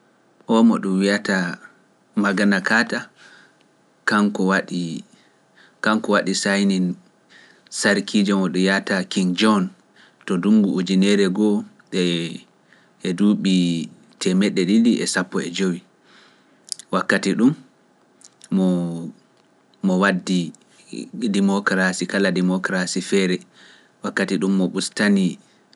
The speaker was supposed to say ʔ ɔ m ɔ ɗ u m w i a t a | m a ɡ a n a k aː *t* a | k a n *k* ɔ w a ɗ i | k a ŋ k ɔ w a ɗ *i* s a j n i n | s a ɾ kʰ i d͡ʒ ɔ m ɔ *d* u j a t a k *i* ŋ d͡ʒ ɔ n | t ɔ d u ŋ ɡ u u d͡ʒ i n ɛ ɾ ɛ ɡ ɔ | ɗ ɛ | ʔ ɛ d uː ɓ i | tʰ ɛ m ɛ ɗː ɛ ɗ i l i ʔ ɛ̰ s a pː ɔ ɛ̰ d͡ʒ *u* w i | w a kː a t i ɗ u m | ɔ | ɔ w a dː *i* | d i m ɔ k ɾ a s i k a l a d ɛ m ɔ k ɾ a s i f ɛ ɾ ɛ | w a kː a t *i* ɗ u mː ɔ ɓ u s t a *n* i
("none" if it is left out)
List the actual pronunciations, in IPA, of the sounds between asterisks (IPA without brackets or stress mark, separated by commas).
t, k, i, ɗ, i, o, i, i, n